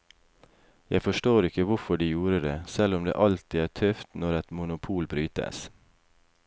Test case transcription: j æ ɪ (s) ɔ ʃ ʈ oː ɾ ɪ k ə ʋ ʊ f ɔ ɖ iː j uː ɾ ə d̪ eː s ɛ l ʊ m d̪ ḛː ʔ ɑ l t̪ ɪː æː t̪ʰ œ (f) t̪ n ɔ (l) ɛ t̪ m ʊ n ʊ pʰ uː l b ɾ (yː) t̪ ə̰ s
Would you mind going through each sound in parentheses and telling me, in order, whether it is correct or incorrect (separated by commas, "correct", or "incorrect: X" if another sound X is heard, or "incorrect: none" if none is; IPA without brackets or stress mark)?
incorrect: f, correct, incorrect: ɾ, correct